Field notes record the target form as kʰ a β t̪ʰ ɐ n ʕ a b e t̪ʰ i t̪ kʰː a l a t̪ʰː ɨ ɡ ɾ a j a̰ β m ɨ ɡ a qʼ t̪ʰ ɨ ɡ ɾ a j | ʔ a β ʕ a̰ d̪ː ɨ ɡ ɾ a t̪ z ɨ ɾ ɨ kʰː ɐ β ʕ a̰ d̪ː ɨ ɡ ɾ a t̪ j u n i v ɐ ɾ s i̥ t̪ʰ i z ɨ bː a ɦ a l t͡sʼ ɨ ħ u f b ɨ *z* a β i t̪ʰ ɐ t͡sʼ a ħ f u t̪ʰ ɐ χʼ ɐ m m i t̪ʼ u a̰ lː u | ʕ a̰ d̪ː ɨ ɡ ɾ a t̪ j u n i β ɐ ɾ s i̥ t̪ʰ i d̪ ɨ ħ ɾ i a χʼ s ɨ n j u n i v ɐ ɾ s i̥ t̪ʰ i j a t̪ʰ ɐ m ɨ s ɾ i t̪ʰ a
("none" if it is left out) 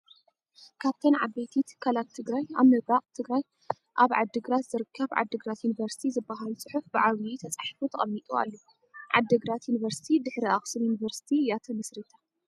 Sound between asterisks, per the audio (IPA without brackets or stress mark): ʕ